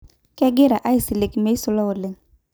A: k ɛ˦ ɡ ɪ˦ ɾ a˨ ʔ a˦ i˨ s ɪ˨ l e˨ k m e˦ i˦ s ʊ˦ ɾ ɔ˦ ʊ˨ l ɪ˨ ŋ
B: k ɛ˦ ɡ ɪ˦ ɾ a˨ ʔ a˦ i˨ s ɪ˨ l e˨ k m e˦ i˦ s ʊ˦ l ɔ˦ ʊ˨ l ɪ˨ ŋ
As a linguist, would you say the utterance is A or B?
B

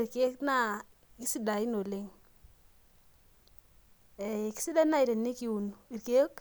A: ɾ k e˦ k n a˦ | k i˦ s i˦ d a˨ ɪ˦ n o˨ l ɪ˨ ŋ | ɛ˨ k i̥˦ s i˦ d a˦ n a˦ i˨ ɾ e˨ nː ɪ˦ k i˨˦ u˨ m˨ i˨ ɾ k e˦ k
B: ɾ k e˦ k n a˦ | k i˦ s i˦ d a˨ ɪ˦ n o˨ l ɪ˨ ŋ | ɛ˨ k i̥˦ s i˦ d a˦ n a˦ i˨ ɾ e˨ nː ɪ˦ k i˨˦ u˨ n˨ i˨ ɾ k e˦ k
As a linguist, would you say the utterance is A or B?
B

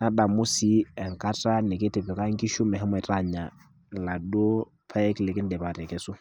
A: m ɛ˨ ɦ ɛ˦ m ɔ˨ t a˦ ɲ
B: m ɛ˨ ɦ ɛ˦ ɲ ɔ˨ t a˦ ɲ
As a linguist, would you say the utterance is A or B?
A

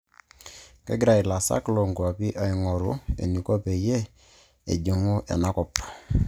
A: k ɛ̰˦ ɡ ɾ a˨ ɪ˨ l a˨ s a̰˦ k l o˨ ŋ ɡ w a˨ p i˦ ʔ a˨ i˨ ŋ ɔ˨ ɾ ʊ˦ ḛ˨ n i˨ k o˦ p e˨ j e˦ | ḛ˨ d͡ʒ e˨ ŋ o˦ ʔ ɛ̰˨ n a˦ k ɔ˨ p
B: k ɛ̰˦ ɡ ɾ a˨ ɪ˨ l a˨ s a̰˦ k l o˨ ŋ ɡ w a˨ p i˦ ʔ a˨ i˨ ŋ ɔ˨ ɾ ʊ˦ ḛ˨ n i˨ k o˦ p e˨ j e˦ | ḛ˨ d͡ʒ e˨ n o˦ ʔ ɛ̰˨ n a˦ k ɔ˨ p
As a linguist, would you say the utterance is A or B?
A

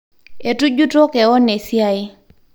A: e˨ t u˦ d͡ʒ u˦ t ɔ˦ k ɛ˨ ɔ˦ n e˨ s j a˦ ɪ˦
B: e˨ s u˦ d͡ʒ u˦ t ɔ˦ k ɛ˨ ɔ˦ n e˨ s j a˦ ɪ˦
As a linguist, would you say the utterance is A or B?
A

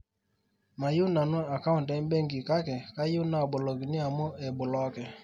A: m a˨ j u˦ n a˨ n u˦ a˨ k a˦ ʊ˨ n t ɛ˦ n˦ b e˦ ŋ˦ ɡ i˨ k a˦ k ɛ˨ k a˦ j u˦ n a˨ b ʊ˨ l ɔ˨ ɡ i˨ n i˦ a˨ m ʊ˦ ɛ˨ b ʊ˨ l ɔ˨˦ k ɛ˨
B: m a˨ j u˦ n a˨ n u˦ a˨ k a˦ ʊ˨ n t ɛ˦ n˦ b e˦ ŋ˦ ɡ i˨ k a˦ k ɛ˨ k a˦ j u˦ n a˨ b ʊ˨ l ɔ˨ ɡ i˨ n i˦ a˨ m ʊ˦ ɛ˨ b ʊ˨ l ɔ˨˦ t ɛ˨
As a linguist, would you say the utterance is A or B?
A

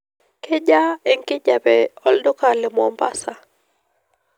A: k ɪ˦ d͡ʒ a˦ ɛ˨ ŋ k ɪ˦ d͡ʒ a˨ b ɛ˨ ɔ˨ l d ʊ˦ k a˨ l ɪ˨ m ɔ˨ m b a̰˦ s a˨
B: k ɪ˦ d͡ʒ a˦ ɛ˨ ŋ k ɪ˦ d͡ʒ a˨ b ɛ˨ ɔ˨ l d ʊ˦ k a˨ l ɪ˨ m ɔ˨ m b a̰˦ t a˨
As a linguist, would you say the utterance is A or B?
A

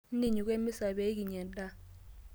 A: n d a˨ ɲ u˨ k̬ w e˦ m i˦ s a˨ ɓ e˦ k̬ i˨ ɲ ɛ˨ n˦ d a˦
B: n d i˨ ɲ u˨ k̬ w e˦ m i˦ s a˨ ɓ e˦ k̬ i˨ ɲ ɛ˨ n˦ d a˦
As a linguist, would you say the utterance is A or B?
B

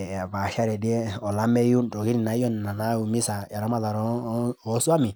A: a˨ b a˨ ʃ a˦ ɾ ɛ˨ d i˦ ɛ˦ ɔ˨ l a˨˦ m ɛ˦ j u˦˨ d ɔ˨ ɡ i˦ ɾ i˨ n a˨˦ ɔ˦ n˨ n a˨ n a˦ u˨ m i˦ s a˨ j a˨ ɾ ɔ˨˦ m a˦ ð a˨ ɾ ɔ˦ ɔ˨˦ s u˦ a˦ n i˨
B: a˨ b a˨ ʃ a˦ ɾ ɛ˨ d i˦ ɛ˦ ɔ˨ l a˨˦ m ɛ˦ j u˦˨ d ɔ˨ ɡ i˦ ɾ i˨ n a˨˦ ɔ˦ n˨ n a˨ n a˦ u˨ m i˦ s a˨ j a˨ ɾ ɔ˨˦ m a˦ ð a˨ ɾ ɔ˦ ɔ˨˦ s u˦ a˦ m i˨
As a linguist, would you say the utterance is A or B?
B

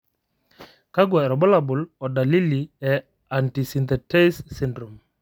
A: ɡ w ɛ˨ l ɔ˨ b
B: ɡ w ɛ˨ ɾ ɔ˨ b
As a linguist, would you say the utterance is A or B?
B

